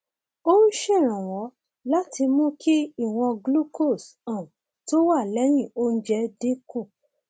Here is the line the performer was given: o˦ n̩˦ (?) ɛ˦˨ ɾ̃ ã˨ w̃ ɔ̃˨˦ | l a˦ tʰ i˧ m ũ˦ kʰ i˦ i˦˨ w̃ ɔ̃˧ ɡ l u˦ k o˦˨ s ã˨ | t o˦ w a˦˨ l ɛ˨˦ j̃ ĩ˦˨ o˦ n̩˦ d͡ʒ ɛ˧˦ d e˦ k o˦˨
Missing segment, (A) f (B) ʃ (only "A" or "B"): B